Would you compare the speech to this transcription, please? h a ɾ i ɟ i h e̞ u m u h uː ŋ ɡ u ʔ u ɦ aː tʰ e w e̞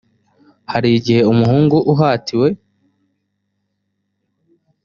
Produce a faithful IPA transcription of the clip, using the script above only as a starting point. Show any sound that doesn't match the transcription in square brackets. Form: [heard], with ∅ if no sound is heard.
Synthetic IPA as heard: h a ɾ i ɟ i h e̞ u m u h uː ŋ ɡ u ʔ u ɦ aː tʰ [i] w e̞